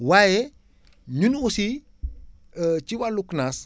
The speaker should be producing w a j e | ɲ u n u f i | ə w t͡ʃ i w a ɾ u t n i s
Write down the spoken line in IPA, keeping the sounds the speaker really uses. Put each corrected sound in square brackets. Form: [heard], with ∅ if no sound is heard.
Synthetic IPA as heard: w a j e | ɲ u n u [s] i | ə [∅] t͡ʃ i w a [l] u [k] n [a] s